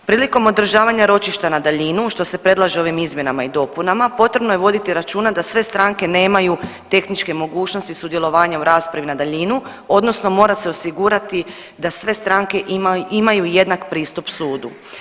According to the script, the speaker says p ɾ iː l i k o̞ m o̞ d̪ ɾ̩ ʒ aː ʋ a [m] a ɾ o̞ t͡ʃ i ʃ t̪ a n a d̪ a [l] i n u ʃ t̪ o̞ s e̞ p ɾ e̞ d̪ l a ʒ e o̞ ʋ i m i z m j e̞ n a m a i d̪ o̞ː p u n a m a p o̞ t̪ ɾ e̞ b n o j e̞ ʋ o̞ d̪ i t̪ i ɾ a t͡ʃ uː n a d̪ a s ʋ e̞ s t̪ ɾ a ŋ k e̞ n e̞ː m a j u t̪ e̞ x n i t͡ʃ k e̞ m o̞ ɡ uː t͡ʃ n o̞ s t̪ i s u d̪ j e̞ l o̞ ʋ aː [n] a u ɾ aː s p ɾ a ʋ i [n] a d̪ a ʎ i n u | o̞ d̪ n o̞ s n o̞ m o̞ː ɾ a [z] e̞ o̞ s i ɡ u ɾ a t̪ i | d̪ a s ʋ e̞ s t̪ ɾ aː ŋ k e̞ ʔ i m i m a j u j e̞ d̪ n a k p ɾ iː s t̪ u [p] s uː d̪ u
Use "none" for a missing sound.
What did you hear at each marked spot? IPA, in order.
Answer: ɲ, ʎ, ɲ, n, s, p

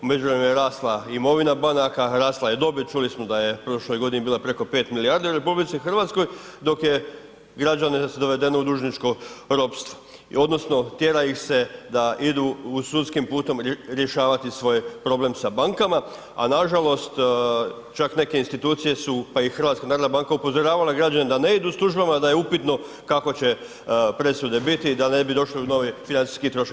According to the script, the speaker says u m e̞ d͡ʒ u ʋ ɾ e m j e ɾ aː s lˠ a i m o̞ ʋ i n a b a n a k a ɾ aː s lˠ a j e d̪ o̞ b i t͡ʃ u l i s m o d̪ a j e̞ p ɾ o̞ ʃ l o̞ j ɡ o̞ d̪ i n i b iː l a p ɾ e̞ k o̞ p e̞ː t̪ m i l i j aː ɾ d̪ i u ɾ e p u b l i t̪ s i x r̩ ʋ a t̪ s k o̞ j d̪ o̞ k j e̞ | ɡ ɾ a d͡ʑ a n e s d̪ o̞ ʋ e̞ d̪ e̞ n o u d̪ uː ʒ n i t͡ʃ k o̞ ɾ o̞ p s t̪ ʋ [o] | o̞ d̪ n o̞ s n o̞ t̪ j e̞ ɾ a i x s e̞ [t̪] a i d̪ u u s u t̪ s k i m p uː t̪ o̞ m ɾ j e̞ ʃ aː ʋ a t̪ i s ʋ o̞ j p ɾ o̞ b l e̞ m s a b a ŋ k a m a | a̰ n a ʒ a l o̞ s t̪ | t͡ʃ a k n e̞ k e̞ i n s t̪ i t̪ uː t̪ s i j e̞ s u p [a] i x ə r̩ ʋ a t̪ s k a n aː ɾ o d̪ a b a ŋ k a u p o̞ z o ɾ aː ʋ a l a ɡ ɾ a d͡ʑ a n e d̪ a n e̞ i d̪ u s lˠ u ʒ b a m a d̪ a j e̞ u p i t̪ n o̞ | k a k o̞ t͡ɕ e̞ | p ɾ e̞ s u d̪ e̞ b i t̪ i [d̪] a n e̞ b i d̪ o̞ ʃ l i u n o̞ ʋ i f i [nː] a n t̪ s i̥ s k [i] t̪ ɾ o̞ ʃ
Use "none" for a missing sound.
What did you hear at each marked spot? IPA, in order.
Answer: o, d̪, a, d̪, n, i

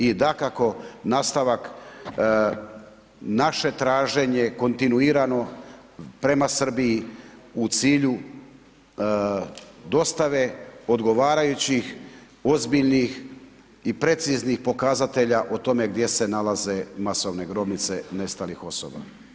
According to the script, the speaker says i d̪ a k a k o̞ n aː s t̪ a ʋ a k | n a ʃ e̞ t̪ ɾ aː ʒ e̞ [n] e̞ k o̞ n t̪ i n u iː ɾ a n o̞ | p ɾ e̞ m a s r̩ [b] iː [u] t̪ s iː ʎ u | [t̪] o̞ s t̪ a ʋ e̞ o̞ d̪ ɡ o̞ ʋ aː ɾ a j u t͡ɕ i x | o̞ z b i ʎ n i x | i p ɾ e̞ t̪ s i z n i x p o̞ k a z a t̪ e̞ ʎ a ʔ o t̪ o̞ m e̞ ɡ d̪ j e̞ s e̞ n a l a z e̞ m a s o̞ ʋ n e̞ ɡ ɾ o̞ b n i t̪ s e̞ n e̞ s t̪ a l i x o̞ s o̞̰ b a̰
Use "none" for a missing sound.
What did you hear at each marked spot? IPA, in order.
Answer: ɲ, b, u, d̪

